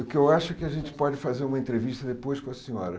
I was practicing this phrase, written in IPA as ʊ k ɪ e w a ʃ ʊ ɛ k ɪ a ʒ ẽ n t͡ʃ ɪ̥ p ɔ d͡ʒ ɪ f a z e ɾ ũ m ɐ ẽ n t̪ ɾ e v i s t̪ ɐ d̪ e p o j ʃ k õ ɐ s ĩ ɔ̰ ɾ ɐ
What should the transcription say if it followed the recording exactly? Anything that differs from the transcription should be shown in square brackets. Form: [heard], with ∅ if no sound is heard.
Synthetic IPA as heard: ʊ k ɪ e w a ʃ ʊ ɛ k ɪ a ʒ ẽ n t͡ʃ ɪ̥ p ɔ d͡ʒ ɪ f a z e ɾ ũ m ɐ ẽ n t̪ ɾ e v i [ʃ] t̪ ɐ d̪ e p o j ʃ k õ ɐ s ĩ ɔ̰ ɾ ɐ